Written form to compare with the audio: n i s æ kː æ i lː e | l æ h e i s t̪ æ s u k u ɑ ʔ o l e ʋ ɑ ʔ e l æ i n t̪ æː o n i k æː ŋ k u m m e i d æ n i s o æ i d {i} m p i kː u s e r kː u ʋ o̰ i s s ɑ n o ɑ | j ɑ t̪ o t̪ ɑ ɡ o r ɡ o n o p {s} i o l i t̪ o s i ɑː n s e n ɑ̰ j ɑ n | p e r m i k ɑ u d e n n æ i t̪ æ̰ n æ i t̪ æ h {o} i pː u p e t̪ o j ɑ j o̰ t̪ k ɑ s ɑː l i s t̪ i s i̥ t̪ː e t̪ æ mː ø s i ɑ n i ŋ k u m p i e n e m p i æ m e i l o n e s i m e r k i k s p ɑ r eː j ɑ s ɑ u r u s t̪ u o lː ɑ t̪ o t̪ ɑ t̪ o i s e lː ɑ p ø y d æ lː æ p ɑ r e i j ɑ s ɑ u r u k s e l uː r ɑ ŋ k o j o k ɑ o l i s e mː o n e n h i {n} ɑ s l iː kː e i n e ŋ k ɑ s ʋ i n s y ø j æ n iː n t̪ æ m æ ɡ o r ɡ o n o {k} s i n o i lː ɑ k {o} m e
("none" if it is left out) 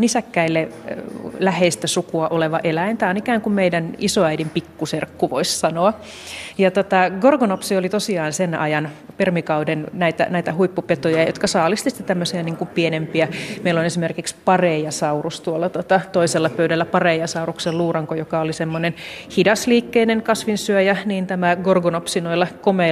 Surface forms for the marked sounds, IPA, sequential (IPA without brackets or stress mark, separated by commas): i, s, u, d, p, o